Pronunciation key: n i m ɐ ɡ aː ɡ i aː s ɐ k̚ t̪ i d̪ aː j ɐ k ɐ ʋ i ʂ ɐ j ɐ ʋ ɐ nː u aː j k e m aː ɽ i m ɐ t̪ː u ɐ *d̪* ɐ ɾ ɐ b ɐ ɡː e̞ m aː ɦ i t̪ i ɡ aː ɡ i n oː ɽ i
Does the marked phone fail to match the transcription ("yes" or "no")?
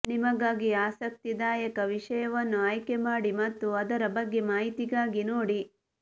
no